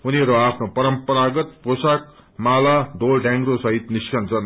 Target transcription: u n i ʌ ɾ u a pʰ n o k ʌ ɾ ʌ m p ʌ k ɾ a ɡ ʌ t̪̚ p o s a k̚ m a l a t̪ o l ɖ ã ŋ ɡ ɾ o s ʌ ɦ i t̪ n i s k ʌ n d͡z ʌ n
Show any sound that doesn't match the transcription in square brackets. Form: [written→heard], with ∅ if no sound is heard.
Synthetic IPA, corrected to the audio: u n i ʌ ɾ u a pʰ n o [k→p] ʌ ɾ ʌ m p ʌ [k→∅] ɾ a ɡ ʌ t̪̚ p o s a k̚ m a l a [t̪→d̪] o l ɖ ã ŋ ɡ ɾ o s ʌ ɦ i t̪ n i s k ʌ n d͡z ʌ n

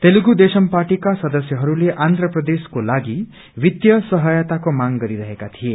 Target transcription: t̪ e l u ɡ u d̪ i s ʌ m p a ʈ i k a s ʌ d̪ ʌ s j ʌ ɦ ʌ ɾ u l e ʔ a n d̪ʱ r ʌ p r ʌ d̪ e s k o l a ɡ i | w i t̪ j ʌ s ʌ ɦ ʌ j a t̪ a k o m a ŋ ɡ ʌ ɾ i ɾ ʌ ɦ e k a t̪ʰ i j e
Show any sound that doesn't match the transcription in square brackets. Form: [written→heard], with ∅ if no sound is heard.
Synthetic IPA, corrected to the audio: t̪ e l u ɡ u d̪ [i→e] s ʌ m p a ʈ i k a s ʌ d̪ ʌ s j ʌ ɦ ʌ ɾ u l e ʔ a n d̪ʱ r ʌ p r ʌ d̪ e s k o l a ɡ i | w i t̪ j ʌ s ʌ ɦ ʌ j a t̪ a k o m a ŋ ɡ ʌ ɾ i ɾ ʌ ɦ e k a t̪ʰ i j e

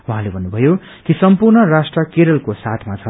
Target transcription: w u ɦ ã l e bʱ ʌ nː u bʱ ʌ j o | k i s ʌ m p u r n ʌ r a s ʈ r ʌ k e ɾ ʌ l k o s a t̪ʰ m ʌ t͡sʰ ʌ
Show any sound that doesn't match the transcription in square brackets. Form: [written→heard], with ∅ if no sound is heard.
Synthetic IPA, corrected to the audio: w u ɦ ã l e bʱ ʌ nː u bʱ ʌ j o | k i s ʌ m p u r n ʌ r a s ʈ r ʌ k e ɾ ʌ l k o s a t̪ʰ m [ʌ→a] t͡sʰ ʌ

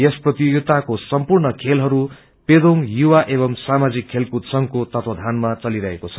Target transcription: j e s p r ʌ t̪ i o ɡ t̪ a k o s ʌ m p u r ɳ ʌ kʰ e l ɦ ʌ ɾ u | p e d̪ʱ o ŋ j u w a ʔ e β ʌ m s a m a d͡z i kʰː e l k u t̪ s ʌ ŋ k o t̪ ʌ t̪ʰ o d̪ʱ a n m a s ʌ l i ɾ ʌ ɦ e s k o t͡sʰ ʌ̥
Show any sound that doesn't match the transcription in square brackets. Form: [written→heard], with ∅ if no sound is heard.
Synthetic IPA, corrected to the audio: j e s p r ʌ t̪ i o ɡ t̪ a k o s ʌ m p u r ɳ ʌ kʰ e l ɦ ʌ ɾ u | p e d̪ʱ o ŋ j u w a ʔ e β ʌ m s a m a d͡z i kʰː e l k u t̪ s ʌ ŋ k o t̪ ʌ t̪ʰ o d̪ʱ a n m a [s→t͡s] ʌ l i ɾ ʌ ɦ e [s→∅] k o t͡sʰ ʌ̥

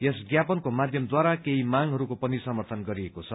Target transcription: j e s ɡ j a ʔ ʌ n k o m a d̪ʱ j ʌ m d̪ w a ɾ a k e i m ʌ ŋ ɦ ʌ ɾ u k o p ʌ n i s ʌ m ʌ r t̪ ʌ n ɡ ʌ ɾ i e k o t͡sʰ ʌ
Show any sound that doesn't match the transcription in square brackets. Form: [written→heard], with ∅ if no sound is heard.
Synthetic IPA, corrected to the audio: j e s ɡ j a [ʔ→p] ʌ n k o m a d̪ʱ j ʌ m d̪ w a ɾ a k e i m [ʌ→a] ŋ ɦ ʌ ɾ u k o p ʌ n i s ʌ m ʌ r [t̪→t̪ʰ] ʌ n ɡ ʌ ɾ i e k o t͡sʰ ʌ

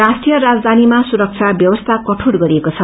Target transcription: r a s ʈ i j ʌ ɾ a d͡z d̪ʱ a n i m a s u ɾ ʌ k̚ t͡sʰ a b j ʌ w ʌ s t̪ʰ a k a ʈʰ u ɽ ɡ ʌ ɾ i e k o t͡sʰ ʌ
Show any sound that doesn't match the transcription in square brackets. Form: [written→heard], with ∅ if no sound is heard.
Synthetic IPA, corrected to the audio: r a s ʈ i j ʌ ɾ a d͡z d̪ʱ a n i m a s u ɾ ʌ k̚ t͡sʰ a b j ʌ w ʌ s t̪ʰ a k [a→ʌ] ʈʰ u ɽ ɡ ʌ ɾ i e k o t͡sʰ ʌ

